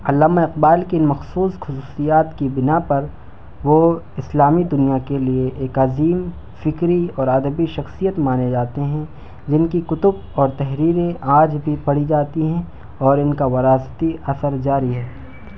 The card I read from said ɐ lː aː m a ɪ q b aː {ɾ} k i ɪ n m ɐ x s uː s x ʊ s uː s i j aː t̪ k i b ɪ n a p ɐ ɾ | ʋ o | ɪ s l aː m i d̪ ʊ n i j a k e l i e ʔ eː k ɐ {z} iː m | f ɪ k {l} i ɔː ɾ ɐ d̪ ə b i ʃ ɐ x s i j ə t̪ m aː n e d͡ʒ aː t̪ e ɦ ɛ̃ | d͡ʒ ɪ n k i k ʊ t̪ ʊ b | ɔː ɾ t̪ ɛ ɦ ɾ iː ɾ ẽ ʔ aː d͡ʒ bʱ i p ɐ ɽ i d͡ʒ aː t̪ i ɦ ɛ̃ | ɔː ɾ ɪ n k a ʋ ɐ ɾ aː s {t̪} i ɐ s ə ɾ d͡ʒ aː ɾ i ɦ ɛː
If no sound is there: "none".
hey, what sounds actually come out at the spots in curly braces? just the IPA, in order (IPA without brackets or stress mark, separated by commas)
l, z, ɾ, t̪